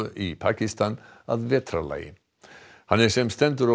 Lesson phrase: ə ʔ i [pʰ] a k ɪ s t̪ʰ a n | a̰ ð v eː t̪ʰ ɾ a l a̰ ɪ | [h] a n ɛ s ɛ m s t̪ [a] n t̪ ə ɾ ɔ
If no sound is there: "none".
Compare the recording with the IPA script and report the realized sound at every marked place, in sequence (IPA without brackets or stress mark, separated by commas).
pʰ, h, ɛ